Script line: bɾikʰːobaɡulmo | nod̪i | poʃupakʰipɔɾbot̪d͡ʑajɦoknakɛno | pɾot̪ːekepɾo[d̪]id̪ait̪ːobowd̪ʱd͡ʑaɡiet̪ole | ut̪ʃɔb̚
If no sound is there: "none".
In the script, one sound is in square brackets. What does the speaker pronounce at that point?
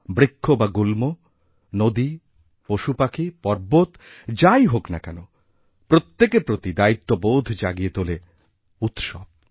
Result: t̪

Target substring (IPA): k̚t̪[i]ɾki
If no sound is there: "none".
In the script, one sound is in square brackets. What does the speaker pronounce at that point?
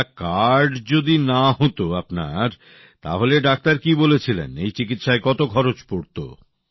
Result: a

